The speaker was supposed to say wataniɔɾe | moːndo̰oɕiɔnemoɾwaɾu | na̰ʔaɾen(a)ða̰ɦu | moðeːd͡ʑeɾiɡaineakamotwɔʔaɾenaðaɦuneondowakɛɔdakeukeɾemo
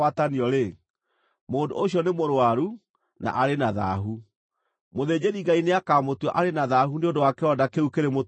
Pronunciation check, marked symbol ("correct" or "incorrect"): correct